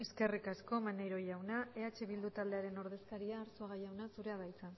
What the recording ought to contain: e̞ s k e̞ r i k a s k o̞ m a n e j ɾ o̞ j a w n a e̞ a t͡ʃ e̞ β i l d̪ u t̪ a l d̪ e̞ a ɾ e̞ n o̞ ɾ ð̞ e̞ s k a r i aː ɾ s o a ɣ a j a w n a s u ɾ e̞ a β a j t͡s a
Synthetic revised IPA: e̞ s k e̞ r i k a s k o̞ m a n e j ɾ o̞ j a w n a e̞ a t͡ʃ e̞ β i l d̪ u t̪ a l d̪ e̞ a ɾ e̞ n o̞ ɾ ð̞ e̞ s k a ɾ i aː ɾ s o a ɣ a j a w n a s u ɾ e̞ a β a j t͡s a